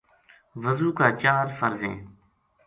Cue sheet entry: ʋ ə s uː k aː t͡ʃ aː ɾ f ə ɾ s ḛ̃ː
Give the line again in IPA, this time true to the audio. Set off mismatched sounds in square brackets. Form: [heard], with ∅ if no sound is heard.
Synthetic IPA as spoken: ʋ ə [z] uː k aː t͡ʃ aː ɾ f ə ɾ [z] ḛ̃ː